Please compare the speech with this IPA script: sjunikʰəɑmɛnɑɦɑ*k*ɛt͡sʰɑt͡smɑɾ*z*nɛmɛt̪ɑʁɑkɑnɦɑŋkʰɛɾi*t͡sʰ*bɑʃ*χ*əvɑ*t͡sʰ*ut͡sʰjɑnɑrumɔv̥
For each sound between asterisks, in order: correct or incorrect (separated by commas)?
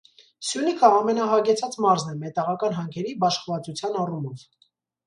incorrect, correct, incorrect, correct, incorrect